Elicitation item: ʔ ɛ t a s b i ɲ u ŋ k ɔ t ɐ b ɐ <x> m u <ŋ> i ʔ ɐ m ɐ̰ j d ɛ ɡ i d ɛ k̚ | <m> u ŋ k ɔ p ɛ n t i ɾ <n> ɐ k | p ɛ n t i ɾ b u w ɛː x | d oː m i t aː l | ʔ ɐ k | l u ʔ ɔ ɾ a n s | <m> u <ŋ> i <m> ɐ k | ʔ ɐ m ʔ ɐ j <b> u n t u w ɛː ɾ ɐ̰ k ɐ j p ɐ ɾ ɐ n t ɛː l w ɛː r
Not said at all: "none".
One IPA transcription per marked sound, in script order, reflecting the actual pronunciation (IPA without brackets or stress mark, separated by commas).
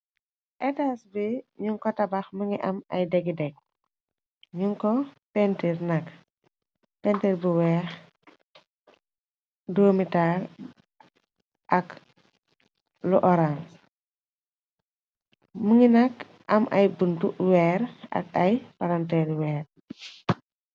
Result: x, ŋ, ɲ, n, m, ŋ, n, b